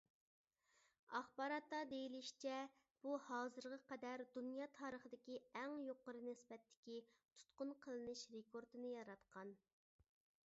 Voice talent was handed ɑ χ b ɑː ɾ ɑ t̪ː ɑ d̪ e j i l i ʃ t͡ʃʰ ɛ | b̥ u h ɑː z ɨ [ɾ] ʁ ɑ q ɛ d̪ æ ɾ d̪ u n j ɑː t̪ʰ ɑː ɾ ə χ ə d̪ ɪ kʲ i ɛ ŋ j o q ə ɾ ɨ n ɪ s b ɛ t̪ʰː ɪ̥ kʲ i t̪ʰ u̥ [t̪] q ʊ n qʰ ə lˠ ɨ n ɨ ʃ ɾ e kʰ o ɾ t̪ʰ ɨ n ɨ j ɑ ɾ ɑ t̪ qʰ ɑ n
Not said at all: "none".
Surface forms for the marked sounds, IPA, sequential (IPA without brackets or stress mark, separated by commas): ɾ, t̪